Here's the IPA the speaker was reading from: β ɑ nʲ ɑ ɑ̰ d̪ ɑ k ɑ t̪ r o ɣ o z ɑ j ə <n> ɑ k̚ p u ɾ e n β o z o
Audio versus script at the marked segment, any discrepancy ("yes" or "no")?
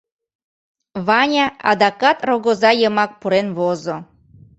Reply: yes